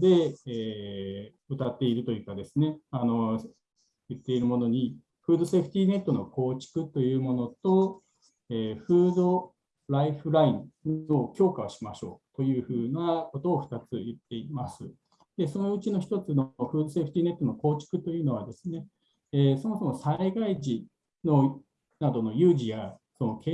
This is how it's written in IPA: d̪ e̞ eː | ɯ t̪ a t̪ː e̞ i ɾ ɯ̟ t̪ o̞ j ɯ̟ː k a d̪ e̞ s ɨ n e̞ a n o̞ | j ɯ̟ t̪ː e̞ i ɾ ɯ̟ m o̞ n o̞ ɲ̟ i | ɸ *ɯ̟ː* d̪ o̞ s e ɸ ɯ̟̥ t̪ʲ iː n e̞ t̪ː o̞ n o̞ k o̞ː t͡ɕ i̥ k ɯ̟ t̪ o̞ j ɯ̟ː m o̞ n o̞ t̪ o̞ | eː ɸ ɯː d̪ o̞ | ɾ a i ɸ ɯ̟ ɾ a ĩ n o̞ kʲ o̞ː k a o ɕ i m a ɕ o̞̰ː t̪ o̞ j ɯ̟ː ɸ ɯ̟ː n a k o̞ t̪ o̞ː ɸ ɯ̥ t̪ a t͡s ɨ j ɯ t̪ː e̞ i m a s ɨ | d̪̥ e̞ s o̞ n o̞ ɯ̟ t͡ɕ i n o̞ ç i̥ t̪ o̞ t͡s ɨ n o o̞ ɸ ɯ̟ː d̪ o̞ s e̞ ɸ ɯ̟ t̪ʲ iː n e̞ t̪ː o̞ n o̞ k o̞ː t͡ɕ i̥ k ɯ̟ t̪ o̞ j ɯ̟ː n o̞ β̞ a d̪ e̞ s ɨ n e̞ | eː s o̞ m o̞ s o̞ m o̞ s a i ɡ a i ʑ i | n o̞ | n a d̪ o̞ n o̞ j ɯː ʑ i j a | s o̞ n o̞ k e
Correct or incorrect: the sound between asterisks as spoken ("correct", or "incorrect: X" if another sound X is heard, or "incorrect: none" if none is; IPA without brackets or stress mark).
correct